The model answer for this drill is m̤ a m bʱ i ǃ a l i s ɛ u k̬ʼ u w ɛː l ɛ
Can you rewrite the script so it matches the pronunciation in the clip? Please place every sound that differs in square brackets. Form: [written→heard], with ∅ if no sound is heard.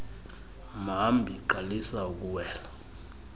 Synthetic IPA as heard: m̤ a m bʱ i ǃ a l i s [ɛ→a] u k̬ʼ u w ɛː l [ɛ→a]